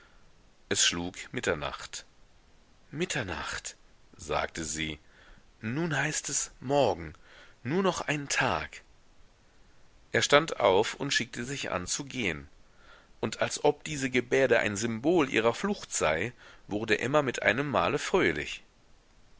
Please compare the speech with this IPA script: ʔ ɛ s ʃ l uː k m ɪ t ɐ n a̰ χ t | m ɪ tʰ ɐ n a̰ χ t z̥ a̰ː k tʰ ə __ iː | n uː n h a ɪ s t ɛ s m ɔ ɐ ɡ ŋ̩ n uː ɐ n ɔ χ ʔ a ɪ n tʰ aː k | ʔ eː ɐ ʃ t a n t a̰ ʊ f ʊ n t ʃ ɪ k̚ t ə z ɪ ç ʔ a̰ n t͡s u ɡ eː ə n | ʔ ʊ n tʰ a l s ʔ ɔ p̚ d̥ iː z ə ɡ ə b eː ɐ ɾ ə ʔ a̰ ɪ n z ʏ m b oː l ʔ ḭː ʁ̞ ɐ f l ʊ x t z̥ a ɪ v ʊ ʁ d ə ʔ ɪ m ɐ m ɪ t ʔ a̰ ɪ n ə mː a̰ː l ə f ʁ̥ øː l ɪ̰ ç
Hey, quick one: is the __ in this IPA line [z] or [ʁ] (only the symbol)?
z